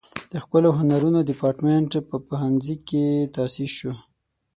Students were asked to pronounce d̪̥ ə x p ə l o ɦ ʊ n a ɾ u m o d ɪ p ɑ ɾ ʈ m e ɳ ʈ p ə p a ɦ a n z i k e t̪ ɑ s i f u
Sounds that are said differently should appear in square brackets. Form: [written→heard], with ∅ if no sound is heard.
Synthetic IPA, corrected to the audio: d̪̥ ə x p ə l o ɦ ʊ n a ɾ u [m→n] o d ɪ p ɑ ɾ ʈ m e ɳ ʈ p ə p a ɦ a n z i k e t̪ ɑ s i [f→ʃ] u